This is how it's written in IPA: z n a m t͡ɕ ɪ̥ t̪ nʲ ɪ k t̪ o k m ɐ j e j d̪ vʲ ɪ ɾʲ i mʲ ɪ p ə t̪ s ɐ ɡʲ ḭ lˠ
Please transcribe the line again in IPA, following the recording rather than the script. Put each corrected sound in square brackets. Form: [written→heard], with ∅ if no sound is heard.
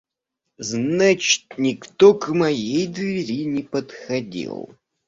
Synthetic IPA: z n a [m→∅] t͡ɕ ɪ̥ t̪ nʲ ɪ k t̪ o k m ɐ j e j d̪ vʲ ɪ ɾʲ i [mʲ→nʲ] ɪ p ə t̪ [s→x] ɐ [ɡʲ→dʲ] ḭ lˠ

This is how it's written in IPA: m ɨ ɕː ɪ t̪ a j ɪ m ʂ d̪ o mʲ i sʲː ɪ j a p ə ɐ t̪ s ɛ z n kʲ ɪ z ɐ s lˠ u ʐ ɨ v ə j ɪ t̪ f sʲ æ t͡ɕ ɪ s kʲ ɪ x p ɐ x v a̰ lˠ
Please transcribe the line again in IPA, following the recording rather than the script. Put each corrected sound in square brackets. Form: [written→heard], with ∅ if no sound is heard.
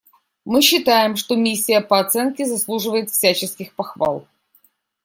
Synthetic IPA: m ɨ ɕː ɪ t̪ a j ɪ m ʂ [d̪→t̪] o mʲ i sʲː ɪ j [a→ə] p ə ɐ t̪ s ɛ [z→∅] n kʲ ɪ z ɐ s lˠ u ʐ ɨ v ə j ɪ t̪ f sʲ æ t͡ɕ ɪ s kʲ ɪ x p ɐ x v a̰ lˠ

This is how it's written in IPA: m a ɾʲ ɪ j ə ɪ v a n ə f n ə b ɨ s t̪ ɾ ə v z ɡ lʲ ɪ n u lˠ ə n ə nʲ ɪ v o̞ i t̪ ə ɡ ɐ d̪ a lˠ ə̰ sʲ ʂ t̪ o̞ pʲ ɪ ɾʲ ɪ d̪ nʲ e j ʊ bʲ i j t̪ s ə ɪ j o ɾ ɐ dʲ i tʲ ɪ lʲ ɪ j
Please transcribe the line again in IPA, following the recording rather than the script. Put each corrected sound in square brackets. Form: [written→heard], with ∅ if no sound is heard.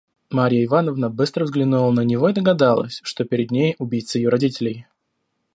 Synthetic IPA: m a ɾʲ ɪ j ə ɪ v a n ə [f→v] n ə b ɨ s t̪ ɾ ə v z ɡ lʲ ɪ n u lˠ ə n ə nʲ ɪ v o̞ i [t̪→d̪] ə ɡ ɐ d̪ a lˠ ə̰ sʲ ʂ t̪ o̞ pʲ ɪ ɾʲ ɪ d̪ nʲ e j ʊ bʲ i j t̪ s ə ɪ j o ɾ ɐ dʲ i tʲ ɪ lʲ ɪ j

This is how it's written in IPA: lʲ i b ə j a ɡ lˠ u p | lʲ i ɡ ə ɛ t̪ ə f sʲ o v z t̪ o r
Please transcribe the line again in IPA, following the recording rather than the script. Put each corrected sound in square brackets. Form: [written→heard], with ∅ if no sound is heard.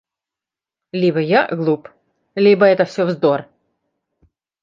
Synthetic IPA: lʲ i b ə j a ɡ lˠ u p | lʲ i [ɡ→b] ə ɛ t̪ ə f sʲ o v z [t̪→d̪] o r

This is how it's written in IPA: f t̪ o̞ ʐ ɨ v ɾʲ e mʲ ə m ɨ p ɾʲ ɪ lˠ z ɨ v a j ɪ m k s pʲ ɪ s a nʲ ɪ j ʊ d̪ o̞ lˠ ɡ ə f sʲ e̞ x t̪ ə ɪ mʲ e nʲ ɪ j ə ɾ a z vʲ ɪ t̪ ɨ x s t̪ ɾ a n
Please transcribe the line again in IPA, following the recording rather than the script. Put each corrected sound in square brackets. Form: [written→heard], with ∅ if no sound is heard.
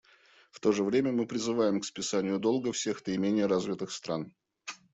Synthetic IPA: f t̪ o̞ ʐ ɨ v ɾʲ e mʲ ə m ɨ p ɾʲ ɪ [lˠ→∅] z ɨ v a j ɪ m k s pʲ ɪ s a nʲ ɪ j ʊ d̪ o̞ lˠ ɡ ə f sʲ e̞ x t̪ ə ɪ mʲ e nʲ ɪ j ə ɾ a z vʲ ɪ t̪ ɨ x s t̪ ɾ a n

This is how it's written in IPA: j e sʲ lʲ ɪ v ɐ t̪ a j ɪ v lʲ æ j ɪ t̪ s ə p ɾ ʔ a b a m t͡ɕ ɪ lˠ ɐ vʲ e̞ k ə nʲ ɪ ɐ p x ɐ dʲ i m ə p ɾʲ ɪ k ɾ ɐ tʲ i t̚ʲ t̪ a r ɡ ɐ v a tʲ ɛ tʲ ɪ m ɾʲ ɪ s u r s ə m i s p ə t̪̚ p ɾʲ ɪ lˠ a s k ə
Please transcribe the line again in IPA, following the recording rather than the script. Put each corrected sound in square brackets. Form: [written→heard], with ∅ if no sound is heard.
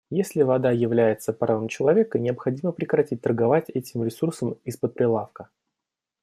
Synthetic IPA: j e sʲ lʲ ɪ v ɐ [t̪→d̪] a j ɪ v lʲ æ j ɪ t̪ s ə p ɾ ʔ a [b→v] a m t͡ɕ ɪ lˠ ɐ vʲ e̞ k ə nʲ ɪ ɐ p x ɐ dʲ i m ə p ɾʲ ɪ k ɾ ɐ tʲ i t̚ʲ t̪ [a→ə] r ɡ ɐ v a tʲ ɛ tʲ ɪ m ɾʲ ɪ s u r s ə m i s p ə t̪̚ p ɾʲ ɪ lˠ a [s→f] k ə

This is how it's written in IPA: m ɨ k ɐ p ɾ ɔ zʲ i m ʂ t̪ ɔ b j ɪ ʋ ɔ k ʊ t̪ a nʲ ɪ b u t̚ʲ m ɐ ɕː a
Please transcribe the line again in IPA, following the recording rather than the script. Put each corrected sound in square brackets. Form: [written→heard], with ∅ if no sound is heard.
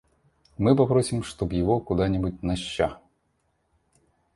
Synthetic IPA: m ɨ [k→p] ɐ p ɾ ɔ [zʲ→sʲ] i m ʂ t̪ ɔ b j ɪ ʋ ɔ k ʊ [t̪→d̪] a nʲ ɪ b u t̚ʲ [m→n] ɐ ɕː a

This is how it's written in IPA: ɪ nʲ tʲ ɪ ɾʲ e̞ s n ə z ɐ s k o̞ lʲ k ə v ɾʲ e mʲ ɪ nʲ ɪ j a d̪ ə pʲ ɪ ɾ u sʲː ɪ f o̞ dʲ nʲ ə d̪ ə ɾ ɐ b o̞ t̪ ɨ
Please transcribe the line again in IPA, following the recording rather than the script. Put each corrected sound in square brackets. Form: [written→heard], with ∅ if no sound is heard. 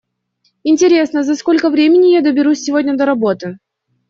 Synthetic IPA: ɪ nʲ tʲ ɪ ɾʲ e̞ s n ə z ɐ s k o̞ lʲ k ə v ɾʲ e mʲ ɪ nʲ ɪ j a d̪ ə [pʲ→bʲ] ɪ ɾ u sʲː ɪ [f→v] o̞ dʲ nʲ ə d̪ ə ɾ ɐ b o̞ t̪ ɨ

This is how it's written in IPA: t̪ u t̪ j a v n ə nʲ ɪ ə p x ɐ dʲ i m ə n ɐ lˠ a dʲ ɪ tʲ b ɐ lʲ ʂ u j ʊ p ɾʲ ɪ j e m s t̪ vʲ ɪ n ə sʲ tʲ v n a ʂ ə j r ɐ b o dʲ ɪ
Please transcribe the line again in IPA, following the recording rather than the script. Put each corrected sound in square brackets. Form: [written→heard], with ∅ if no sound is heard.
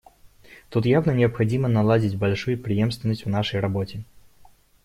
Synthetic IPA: t̪ u t̪ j a v n ə nʲ ɪ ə p x ɐ dʲ i m ə n ɐ lˠ a dʲ ɪ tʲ b ɐ lʲ ʂ u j ʊ p ɾʲ ɪ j e m s t̪ vʲ ɪ n ə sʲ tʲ v n a ʂ ə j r ɐ b o [dʲ→tʲ] ɪ

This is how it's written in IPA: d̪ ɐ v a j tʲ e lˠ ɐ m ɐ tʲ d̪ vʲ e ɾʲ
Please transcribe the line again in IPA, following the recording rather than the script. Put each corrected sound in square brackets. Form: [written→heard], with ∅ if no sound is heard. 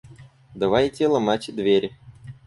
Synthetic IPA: d̪ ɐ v a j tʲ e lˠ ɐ m [ɐ→a] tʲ d̪ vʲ e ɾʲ

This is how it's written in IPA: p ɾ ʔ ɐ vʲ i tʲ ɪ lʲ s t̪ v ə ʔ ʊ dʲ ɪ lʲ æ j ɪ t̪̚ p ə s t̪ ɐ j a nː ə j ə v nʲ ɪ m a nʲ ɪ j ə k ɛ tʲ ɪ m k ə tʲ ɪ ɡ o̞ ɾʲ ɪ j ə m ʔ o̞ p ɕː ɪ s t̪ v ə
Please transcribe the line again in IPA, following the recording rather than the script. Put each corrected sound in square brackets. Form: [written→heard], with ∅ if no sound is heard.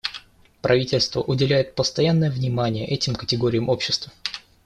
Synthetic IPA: p ɾ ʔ ɐ vʲ i tʲ ɪ lʲ s t̪ v ə ʔ ʊ dʲ ɪ lʲ æ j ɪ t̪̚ p ə s t̪ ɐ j a nː ə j ə v nʲ ɪ m a nʲ ɪ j ə [k→ʔ] ɛ tʲ ɪ m k ə tʲ ɪ ɡ o̞ ɾʲ ɪ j ə m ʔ o̞ p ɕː ɪ s t̪ v ə

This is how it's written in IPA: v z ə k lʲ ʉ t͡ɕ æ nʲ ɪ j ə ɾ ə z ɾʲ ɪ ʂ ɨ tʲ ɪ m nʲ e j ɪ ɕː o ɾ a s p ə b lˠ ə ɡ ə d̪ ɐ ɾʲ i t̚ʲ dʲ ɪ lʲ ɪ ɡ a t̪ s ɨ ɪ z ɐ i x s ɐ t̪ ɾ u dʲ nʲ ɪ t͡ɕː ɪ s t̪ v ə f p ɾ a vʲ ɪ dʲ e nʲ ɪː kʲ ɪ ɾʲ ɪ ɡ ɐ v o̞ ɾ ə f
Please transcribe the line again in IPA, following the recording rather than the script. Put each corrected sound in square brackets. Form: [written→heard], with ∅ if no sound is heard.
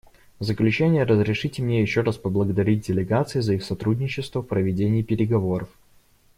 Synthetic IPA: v z ə k lʲ ʉ t͡ɕ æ nʲ ɪ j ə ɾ ə z ɾʲ ɪ ʂ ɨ tʲ ɪ m nʲ e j ɪ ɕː o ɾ a s p ə b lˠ ə ɡ ə d̪ ɐ ɾʲ i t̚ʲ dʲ ɪ lʲ ɪ ɡ a t̪ s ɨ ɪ z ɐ i x s ɐ t̪ ɾ u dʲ nʲ ɪ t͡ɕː ɪ s t̪ v ə f p ɾ [a→ə] vʲ ɪ dʲ e nʲ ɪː [kʲ→pʲ] ɪ ɾʲ ɪ ɡ ɐ v o̞ ɾ ə f

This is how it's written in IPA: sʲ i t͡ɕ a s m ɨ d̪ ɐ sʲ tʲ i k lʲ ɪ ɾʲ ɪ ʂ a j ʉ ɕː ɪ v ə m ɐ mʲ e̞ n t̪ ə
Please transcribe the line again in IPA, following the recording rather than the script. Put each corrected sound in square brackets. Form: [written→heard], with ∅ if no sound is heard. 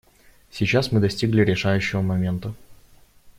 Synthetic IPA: sʲ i t͡ɕ a s m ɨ d̪ ɐ sʲ tʲ i [k→ɡ] lʲ ɪ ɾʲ ɪ ʂ a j ʉ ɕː ɪ v ə m ɐ mʲ e̞ n t̪ ə

